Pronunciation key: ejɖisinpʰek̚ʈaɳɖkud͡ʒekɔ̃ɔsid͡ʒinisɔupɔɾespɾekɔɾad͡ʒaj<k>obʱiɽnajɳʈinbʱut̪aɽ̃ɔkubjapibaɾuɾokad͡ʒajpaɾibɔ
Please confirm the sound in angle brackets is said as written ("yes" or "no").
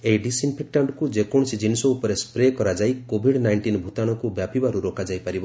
yes